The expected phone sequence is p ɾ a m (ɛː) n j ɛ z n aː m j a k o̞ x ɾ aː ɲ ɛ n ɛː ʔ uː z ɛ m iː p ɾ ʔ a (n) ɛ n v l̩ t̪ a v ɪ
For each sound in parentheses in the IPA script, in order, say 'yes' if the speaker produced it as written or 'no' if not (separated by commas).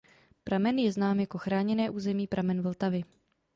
no, no